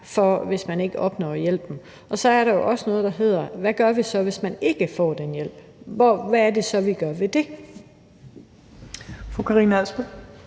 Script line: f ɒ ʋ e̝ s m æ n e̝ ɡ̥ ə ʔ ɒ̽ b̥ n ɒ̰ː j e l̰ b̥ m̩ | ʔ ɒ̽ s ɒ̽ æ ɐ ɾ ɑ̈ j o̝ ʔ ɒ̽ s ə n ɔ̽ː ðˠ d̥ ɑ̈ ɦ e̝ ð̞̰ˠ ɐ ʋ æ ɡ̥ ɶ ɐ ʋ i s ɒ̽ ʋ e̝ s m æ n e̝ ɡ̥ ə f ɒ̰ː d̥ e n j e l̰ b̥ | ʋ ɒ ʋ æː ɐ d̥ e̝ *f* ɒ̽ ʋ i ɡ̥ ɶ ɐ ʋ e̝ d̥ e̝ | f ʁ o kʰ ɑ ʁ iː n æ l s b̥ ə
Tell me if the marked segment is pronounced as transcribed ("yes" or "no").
no